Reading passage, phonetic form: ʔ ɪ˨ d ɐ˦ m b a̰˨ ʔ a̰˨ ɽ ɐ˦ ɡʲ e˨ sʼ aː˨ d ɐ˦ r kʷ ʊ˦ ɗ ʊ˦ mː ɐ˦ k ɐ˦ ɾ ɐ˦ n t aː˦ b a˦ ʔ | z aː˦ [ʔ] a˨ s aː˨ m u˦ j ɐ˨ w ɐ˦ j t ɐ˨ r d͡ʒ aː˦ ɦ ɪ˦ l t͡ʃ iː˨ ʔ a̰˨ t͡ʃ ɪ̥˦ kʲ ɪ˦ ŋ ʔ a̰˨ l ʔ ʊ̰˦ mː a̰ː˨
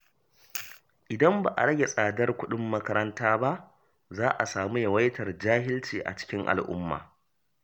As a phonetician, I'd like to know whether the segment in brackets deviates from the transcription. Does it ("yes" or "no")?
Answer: no